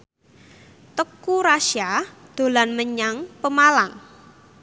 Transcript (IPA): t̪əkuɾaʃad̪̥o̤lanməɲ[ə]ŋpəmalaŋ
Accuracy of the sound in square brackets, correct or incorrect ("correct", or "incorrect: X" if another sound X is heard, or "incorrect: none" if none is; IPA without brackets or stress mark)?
incorrect: a